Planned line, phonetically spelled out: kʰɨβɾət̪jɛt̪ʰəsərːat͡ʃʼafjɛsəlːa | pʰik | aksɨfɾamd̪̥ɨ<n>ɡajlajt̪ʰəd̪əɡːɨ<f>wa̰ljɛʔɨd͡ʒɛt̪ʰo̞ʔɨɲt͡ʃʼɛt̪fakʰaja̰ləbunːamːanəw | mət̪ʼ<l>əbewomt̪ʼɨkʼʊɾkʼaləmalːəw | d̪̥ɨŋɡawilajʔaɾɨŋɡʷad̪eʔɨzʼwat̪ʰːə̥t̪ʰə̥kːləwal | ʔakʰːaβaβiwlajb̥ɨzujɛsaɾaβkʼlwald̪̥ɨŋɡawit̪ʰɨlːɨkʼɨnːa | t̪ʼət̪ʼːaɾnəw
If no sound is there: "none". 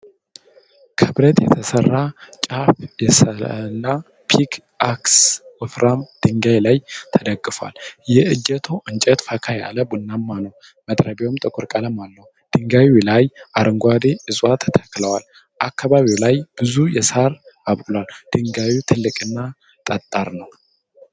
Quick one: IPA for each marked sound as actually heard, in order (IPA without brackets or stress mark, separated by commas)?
ŋ, f, ɾ